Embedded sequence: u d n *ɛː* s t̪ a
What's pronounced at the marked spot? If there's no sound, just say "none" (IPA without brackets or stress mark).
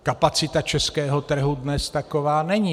ɛ